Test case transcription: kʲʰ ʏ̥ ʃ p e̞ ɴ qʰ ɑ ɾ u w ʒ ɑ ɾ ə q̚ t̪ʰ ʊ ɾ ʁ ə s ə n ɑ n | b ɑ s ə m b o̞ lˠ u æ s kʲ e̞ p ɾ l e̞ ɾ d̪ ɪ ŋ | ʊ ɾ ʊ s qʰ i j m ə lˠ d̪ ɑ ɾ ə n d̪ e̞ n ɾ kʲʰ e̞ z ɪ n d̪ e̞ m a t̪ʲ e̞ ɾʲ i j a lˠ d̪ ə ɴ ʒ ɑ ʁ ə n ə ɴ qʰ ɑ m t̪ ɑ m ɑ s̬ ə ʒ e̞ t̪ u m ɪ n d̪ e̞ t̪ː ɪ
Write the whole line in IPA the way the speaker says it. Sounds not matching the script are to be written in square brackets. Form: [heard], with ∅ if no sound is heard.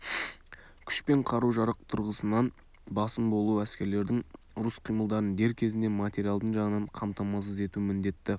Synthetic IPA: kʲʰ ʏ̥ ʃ p e̞ ɴ qʰ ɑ ɾ u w ʒ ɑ ɾ ə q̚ t̪ʰ ʊ ɾ ʁ ə s ə n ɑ n | b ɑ s ə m b o̞ lˠ u æ s kʲ e̞ [∅] ɾ l e̞ ɾ d̪ ɪ ŋ | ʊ ɾ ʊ s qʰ i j m ə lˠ d̪ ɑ ɾ ə n d̪ e̞ [∅] ɾ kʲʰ e̞ z ɪ n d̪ e̞ m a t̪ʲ e̞ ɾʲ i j a lˠ d̪ ə ɴ ʒ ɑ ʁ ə n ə ɴ qʰ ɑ m t̪ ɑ m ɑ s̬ ə [z] e̞ t̪ u m ɪ n d̪ e̞ t̪ː ɪ

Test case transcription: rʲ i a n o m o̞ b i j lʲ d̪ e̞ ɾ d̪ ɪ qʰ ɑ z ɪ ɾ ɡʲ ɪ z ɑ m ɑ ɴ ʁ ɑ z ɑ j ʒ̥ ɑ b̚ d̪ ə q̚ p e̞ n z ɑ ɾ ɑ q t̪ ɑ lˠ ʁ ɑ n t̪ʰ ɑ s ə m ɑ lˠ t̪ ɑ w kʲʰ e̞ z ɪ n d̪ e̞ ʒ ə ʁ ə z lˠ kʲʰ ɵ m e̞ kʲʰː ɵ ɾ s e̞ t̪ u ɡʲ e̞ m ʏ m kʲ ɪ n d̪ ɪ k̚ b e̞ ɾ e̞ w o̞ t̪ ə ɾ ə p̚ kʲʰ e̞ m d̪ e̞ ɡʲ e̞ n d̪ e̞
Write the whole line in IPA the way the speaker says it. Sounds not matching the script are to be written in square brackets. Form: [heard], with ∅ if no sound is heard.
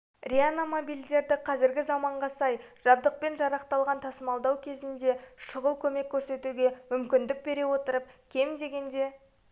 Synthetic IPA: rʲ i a n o m o̞ b i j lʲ d̪ e̞ ɾ d̪ ɪ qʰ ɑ z ɪ ɾ ɡʲ ɪ z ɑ m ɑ ɴ ʁ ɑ [s] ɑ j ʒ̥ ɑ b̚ d̪ ə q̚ p e̞ n [ʒ] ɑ ɾ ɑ q t̪ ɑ lˠ ʁ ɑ n t̪ʰ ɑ s ə m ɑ lˠ [d̪] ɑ w kʲʰ e̞ z ɪ n d̪ e̞ [ʃ] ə ʁ ə [∅] lˠ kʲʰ ɵ m e̞ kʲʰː ɵ ɾ s e̞ t̪ u ɡʲ e̞ m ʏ m kʲ ɪ n d̪ ɪ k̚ b e̞ ɾ e̞ w o̞ t̪ ə ɾ ə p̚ kʲʰ e̞ m d̪ e̞ ɡʲ e̞ n d̪ e̞

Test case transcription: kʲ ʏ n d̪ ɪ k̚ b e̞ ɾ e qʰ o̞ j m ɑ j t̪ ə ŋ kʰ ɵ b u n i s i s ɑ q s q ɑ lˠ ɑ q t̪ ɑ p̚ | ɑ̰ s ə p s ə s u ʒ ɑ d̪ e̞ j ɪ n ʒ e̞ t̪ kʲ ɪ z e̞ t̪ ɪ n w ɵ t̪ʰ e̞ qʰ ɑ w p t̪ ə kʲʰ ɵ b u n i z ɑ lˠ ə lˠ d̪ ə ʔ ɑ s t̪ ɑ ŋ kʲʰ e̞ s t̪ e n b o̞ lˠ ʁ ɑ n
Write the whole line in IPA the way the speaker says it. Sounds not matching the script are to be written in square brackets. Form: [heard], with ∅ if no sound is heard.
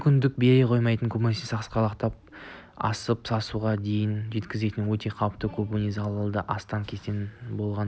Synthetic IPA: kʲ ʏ n d̪ ɪ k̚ b e̞ ɾ e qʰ o̞ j m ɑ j t̪ ə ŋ kʰ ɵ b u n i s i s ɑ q s q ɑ lˠ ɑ q t̪ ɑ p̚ | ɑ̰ s ə p s [ɑ] s u [ʁ] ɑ d̪ e̞ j ɪ n ʒ e̞ t̪ kʲ ɪ z e̞ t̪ ɪ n w ɵ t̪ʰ e̞ qʰ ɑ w p t̪ ə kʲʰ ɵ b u n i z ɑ lˠ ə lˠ d̪ ə ʔ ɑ s t̪ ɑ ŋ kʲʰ e̞ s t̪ e n b o̞ lˠ ʁ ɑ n

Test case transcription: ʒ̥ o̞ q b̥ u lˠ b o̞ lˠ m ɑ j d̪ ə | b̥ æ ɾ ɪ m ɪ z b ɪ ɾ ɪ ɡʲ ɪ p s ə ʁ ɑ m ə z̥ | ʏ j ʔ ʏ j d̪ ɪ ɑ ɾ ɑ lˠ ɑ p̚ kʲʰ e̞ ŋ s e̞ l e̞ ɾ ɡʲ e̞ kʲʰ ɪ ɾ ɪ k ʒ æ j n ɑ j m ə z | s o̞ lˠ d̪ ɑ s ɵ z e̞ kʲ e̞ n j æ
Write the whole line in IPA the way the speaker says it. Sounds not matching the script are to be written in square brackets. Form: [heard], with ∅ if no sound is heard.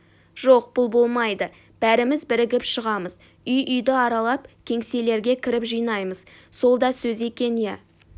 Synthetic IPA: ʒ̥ o̞ q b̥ [ʊ] lˠ b o̞ lˠ m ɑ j d̪ ə | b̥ æ ɾ ɪ m ɪ z b ɪ ɾ ɪ ɡʲ ɪ p [ʃ] ə ʁ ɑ m ə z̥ | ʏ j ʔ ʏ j d̪ ɪ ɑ ɾ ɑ lˠ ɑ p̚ kʲʰ e̞ ŋ s e̞ l e̞ ɾ ɡʲ e̞ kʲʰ ɪ ɾ ɪ [p] ʒ [i] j n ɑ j m ə z | s o̞ lˠ d̪ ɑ s ɵ z e̞ kʲ e̞ n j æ

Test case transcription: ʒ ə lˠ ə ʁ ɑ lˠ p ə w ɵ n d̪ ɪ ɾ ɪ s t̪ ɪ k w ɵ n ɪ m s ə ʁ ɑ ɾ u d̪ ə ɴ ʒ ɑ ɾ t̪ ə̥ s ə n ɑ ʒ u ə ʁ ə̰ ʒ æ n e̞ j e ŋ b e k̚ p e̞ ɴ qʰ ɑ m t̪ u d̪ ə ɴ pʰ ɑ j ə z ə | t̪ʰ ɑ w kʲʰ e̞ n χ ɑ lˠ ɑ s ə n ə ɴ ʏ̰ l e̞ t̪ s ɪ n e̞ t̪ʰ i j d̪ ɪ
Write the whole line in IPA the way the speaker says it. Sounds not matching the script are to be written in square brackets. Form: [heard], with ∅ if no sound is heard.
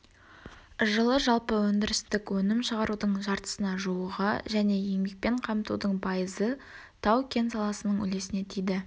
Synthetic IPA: ʒ ə lˠ ə [ʒ] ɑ lˠ p ə w ɵ n d̪ ɪ ɾ ɪ s t̪ ɪ k w ɵ n ɪ m [ʃ] ə ʁ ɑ ɾ u d̪ ə ɴ ʒ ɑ ɾ t̪ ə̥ s ə n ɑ ʒ u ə ʁ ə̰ ʒ æ n e̞ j e ŋ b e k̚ p e̞ ɴ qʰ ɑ m t̪ u d̪ ə ɴ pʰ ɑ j ə z ə | t̪ʰ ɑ w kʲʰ e̞ n [s] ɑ lˠ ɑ s ə n ə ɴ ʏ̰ l e̞ [∅] s ɪ n e̞ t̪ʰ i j d̪ ɪ

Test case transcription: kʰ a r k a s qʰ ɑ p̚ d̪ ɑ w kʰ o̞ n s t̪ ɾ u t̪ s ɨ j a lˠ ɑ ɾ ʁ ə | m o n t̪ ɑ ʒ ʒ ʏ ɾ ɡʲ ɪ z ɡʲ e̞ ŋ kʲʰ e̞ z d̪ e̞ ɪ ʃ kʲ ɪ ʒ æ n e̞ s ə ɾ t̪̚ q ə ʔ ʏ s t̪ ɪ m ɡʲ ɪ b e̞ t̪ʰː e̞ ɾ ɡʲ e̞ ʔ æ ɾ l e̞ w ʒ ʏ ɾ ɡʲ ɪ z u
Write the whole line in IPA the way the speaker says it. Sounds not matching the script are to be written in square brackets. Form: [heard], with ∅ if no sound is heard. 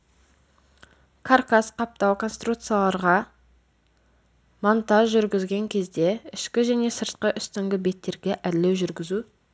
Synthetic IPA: kʰ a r k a s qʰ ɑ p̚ [t̪] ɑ w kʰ o̞ n s t̪ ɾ u t̪ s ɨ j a lˠ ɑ ɾ ʁ [ɑ] | m o n t̪ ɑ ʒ ʒ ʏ ɾ ɡʲ ɪ z ɡʲ e̞ ŋ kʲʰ e̞ z d̪ e̞ ɪ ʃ kʲ ɪ ʒ æ n e̞ s ə ɾ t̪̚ q ə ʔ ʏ s t̪ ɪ [ŋ] ɡʲ ɪ b e̞ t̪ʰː e̞ ɾ ɡʲ e̞ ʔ æ ɾ l e̞ w ʒ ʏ ɾ ɡʲ ɪ z u

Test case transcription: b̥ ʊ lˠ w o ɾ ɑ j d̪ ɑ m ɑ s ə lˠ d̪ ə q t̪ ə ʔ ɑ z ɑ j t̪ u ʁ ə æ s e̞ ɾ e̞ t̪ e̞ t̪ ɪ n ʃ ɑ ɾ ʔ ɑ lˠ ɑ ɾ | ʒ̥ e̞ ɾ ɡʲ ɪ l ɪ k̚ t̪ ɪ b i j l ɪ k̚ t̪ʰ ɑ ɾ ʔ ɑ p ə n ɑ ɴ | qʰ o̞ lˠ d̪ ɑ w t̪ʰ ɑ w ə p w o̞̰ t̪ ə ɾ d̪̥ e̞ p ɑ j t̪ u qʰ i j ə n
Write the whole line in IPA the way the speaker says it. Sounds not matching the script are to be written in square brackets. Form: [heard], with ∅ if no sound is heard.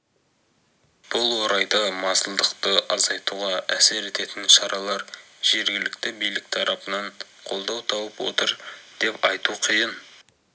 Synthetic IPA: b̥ ʊ lˠ w o ɾ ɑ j d̪ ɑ m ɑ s ə lˠ d̪ ə q t̪ ə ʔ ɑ z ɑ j t̪ u ʁ [ɑ] æ s e̞ ɾ e̞ t̪ e̞ t̪ ɪ n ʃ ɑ ɾ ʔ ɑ lˠ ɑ ɾ | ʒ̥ e̞ ɾ ɡʲ ɪ l ɪ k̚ t̪ ɪ b i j l ɪ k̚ t̪ʰ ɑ ɾ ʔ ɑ p ə n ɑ ɴ | qʰ o̞ lˠ d̪ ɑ w t̪ʰ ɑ w ə p w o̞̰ t̪ ə ɾ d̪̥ e̞ p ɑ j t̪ u qʰ i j ə n

